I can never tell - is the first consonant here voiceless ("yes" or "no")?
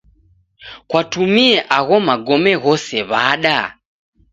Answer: yes